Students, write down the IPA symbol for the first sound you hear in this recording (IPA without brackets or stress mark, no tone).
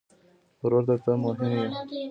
ɾ